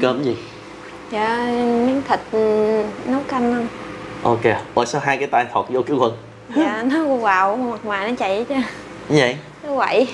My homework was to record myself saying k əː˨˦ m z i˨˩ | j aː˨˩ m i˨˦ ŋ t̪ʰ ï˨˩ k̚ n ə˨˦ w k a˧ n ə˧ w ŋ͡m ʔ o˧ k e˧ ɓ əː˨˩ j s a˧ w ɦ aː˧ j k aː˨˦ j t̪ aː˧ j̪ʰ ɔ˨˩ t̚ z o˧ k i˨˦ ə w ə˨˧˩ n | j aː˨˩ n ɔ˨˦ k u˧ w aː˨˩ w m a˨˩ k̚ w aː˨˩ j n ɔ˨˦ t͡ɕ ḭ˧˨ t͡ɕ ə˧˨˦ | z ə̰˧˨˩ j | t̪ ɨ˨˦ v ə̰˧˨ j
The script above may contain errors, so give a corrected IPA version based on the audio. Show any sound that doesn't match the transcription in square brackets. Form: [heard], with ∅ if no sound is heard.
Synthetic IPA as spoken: k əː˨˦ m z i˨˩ | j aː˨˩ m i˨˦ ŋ t̪ʰ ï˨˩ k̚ n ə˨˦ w k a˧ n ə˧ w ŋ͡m ʔ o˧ k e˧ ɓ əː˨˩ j s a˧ w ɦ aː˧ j k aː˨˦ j t̪ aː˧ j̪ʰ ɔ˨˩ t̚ z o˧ k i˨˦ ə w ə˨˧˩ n | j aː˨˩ n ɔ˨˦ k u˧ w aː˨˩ w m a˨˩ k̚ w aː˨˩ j n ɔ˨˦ t͡ɕ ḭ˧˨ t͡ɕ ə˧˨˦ | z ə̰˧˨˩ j | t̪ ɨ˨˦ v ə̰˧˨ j